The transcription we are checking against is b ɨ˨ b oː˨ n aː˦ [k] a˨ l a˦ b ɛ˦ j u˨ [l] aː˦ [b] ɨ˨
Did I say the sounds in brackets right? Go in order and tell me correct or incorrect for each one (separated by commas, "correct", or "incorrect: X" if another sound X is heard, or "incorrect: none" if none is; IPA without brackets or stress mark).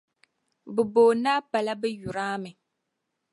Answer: incorrect: p, incorrect: ɾ, incorrect: m